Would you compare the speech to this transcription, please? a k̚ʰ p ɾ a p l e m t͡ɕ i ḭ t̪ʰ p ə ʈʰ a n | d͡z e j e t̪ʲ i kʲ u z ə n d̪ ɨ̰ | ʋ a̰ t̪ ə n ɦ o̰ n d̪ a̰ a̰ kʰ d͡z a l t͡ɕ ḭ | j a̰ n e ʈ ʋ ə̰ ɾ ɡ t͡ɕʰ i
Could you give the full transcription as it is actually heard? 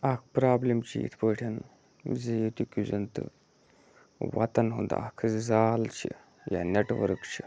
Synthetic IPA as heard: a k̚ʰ p ɾ a b l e m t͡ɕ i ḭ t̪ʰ p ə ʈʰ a n | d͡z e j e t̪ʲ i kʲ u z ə n t̪ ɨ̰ | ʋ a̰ t̪ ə n ɦ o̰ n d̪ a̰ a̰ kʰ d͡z a l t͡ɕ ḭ | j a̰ n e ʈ ʋ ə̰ ɾ k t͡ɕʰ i